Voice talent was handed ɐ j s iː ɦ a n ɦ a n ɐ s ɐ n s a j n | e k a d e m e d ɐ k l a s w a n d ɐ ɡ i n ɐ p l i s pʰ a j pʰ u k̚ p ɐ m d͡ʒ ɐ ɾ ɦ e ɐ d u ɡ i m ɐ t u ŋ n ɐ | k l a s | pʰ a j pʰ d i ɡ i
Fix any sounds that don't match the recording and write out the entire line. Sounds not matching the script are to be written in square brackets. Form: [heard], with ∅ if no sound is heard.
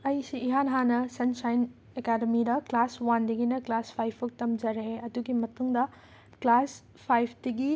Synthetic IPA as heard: ɐ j s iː ɦ a n ɦ a n ɐ s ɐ n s a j n | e k a d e m [i] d ɐ k l a s w a n d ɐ ɡ i n ɐ [k] l [a] s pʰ a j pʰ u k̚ [t] ɐ m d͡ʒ ɐ ɾ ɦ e ɐ d u ɡ i m ɐ t u ŋ [d] ɐ | k l a s | pʰ a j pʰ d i ɡ i

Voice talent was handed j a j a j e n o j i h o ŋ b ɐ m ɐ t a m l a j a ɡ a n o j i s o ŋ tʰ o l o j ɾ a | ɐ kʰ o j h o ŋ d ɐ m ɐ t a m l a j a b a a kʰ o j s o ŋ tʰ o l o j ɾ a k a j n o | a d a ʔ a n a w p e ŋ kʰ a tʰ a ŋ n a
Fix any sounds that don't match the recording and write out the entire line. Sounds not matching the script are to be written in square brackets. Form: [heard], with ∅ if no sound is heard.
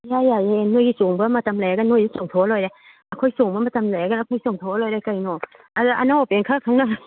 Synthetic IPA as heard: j a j a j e n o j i [s] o ŋ b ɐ m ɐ t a m l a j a ɡ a n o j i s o ŋ tʰ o l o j ɾ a | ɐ kʰ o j [s] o ŋ [b] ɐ m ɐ t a m l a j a [ɡ] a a kʰ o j s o ŋ tʰ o l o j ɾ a k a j n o | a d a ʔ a n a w p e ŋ kʰ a [kʰ] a ŋ n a

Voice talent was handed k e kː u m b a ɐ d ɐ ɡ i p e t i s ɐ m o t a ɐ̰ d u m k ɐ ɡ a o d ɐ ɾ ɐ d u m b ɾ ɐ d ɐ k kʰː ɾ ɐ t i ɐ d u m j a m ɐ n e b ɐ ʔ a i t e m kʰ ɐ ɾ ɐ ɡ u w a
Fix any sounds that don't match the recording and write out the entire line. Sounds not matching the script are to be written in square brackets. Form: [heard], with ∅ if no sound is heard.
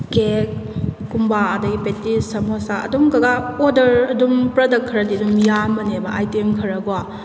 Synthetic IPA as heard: k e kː u m b a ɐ d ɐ ɡ i p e t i s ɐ m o [s] a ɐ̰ d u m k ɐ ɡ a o d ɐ ɾ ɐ d u m [p] ɾ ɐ d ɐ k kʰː ɾ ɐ [d] i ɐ d u m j a m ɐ n e b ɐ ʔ a [j] t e m kʰ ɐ ɾ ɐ ɡ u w a

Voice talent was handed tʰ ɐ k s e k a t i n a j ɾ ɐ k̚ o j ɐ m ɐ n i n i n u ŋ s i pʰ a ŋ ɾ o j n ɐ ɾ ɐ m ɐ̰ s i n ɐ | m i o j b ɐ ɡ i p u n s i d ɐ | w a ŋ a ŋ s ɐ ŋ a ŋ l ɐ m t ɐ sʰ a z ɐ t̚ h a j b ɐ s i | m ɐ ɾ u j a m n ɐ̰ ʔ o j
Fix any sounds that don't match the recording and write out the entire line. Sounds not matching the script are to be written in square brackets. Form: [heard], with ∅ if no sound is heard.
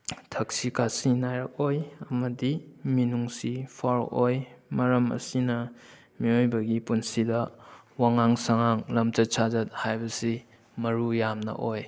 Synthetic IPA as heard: tʰ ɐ k s [i] k a [s] i n a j ɾ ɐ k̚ o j ɐ m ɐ [d] i [m] i n u ŋ s i pʰ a [∅] ɾ o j [m] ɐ ɾ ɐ m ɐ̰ s i n ɐ | m i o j b ɐ ɡ i p u n s i d ɐ | w a ŋ a ŋ s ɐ ŋ a ŋ l ɐ m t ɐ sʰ a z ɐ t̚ h a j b ɐ s i | m ɐ ɾ u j a m n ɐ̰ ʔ o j

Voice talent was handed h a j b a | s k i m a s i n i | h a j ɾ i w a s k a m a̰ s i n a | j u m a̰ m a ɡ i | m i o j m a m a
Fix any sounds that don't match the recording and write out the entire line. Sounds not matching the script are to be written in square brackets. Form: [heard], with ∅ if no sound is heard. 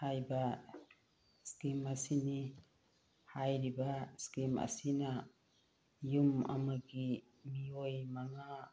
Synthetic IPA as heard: h a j b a | s k i m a s i n i | h a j ɾ i [b] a s k [i] m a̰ s i n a | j u m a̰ m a ɡ i | m i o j m a [ŋ] a

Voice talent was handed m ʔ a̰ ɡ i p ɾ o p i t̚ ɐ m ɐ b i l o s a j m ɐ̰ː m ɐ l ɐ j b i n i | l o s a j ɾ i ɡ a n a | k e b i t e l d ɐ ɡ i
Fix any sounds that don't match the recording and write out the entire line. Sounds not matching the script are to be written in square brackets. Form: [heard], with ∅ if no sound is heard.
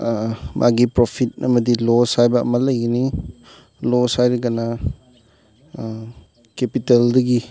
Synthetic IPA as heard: m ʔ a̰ ɡ i p ɾ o [pʰ] i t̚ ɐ m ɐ [d] i l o s a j [b] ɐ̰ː m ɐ l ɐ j [ɡ] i n i | l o s a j ɾ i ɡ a n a | k e [p] i t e l d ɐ ɡ i

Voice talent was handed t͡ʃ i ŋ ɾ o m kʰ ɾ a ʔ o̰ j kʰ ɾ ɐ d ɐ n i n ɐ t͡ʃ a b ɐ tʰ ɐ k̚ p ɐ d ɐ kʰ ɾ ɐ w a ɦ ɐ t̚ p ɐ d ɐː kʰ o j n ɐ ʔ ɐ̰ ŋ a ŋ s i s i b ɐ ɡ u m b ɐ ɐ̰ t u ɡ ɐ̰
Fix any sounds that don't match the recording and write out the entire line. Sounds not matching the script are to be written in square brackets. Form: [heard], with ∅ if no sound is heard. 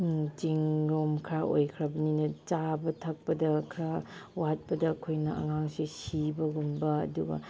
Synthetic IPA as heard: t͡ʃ i ŋ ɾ o m kʰ ɾ a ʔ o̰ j kʰ ɾ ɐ [b] ɐ n i n ɐ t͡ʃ a b ɐ tʰ ɐ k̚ p ɐ d ɐ kʰ ɾ [a] w a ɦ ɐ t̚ p ɐ d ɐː kʰ o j n ɐ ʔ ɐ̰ ŋ a ŋ s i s i b ɐ ɡ u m b ɐ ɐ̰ [d] u ɡ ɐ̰

